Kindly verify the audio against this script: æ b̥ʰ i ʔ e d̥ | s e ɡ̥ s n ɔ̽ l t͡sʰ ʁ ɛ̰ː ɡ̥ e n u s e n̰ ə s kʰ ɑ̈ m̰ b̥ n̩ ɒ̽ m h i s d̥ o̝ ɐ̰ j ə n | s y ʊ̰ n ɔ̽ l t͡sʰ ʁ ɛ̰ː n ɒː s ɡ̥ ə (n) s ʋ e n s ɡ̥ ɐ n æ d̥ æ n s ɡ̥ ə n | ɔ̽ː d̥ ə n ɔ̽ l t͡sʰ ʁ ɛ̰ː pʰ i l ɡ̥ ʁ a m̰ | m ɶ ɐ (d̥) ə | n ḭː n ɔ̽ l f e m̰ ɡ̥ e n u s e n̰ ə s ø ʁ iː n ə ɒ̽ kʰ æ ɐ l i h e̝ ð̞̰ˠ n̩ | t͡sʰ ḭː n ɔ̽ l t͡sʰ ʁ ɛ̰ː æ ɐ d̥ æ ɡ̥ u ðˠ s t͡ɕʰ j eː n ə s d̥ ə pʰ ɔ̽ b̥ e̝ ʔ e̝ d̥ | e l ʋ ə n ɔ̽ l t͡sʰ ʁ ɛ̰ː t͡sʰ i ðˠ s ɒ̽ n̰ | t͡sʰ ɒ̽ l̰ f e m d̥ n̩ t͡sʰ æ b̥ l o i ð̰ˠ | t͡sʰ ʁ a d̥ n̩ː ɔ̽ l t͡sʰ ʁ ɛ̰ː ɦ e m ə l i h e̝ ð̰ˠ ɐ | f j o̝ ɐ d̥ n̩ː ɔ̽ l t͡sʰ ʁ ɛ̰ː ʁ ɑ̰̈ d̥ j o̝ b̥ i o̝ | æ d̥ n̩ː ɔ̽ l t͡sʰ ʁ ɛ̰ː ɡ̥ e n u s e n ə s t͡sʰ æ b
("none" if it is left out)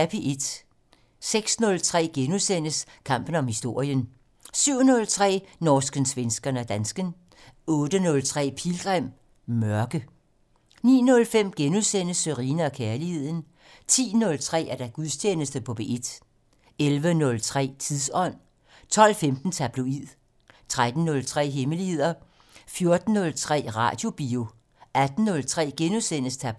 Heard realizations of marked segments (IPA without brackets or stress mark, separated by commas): n, ɡ̥